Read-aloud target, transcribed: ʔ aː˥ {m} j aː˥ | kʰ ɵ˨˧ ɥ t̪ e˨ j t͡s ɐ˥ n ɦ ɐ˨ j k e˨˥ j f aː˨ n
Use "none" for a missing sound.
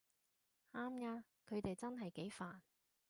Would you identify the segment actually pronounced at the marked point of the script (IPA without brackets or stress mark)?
m